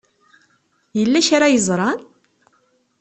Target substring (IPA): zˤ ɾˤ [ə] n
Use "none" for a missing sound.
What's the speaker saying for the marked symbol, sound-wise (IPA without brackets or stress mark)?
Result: ɑ